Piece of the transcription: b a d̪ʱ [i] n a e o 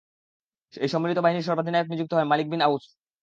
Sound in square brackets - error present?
no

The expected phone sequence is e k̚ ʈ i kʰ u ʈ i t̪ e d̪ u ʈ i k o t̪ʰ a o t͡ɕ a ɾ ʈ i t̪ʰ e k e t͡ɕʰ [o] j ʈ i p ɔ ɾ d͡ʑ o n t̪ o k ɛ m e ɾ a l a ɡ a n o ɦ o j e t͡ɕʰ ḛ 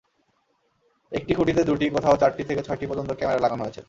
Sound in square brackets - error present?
yes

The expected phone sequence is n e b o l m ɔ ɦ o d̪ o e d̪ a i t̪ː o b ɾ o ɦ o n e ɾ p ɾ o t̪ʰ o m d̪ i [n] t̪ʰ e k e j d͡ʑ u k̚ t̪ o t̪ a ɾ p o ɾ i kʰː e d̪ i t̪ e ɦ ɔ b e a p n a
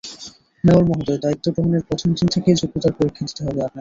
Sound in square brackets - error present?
no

